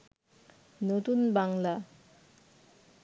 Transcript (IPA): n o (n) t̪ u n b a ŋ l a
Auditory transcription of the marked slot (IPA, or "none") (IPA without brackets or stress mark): none